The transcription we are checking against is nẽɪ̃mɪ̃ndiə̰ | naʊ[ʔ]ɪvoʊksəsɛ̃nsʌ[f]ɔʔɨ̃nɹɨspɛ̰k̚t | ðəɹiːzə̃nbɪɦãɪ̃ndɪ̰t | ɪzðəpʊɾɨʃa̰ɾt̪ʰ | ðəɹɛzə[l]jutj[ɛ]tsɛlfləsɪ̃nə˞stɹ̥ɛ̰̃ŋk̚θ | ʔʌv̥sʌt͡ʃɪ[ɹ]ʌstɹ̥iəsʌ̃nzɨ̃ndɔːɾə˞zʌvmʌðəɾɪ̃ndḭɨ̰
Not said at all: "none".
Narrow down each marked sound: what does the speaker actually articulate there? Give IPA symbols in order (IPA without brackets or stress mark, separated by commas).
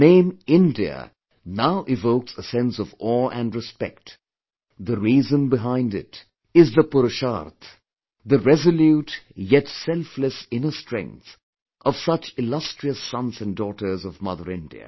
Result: ʔ, v, l, ɛ, l